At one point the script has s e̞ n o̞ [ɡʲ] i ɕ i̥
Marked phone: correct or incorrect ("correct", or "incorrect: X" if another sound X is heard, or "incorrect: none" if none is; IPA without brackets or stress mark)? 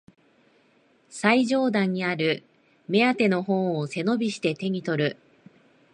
incorrect: bʲ